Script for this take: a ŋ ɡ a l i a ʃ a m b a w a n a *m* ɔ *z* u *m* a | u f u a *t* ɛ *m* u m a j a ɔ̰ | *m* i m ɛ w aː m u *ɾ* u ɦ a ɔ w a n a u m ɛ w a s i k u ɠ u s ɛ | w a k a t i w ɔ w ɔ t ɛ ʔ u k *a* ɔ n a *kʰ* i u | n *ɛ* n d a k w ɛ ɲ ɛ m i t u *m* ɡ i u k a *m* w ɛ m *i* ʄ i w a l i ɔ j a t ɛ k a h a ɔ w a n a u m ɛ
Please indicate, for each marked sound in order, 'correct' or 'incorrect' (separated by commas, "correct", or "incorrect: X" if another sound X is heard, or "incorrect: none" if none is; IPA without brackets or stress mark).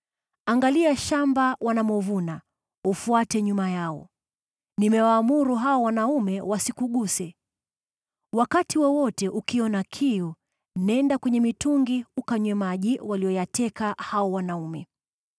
correct, incorrect: v, incorrect: n, correct, incorrect: ɲ, incorrect: n, correct, incorrect: i, correct, correct, incorrect: ŋ, incorrect: ɲ, incorrect: a